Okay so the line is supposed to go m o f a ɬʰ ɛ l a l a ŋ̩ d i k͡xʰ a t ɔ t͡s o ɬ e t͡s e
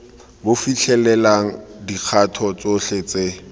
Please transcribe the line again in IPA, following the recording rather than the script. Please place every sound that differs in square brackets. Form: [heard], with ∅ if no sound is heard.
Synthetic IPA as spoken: [b] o f [i] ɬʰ ɛ l [ɛ] l a ŋ̩ d i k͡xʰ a [tʰ] ɔ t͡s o ɬ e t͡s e